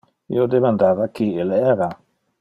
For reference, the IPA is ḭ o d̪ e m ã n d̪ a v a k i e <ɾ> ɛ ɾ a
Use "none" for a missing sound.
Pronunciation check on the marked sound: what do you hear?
l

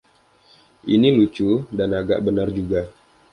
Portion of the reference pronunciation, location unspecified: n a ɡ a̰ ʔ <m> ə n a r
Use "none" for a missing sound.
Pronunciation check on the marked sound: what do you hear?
b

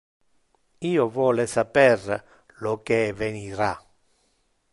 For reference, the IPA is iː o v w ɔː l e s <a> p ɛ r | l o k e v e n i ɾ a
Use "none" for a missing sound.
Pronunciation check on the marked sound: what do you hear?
a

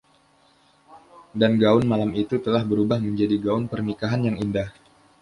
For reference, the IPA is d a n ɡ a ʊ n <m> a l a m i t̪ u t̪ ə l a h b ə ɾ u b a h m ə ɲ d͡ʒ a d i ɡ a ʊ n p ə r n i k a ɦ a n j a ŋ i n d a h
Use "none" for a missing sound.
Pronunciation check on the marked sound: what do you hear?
m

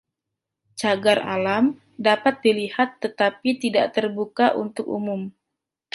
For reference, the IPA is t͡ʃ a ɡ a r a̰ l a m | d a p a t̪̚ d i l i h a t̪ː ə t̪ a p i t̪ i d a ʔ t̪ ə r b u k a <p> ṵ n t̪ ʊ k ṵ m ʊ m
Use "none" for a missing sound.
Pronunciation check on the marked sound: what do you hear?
ʔ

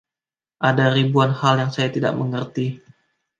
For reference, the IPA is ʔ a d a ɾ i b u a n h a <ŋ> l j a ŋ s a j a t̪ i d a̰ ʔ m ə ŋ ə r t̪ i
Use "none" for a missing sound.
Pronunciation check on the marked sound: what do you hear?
none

